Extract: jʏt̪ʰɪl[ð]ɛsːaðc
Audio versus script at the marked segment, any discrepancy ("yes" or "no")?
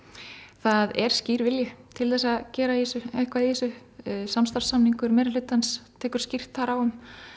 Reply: yes